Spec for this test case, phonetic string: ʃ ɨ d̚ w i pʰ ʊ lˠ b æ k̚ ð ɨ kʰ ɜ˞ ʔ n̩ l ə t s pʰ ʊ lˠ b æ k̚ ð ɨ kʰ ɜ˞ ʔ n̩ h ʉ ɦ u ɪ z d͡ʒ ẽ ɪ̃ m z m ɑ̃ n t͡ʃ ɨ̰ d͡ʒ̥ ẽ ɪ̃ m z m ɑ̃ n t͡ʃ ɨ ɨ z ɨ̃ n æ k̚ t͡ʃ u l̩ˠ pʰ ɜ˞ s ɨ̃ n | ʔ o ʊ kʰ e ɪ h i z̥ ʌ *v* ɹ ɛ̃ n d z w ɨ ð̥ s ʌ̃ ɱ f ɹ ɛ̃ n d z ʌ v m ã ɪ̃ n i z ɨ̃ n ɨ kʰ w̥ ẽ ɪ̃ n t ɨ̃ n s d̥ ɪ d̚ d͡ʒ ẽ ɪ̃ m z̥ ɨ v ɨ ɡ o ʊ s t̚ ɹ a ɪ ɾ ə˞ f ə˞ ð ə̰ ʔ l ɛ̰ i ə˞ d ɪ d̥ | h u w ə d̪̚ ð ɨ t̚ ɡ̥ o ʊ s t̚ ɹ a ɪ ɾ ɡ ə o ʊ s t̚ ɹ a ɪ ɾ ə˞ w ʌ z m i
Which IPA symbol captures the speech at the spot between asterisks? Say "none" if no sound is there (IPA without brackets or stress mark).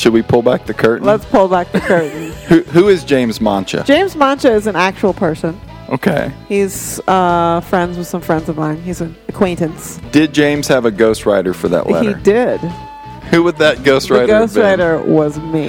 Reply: f